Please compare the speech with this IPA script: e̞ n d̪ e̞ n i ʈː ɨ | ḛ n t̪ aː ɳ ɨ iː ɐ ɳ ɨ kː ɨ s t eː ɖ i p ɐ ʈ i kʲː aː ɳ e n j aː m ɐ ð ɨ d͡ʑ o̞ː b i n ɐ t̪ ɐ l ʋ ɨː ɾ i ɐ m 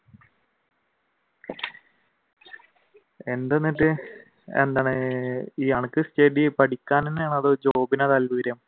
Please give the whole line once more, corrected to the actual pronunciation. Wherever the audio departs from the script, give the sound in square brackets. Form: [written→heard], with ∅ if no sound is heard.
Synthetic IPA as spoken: e̞ n d̪ e̞ [n→nː] i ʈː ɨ | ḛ n [t̪→d̪] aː ɳ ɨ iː ɐ ɳ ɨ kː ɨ s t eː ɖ i p ɐ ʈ i kʲː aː [ɳ→n] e n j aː [m→ɳ] ɐ ð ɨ d͡ʑ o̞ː b i n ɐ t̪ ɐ l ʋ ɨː ɾ [i→j] ɐ m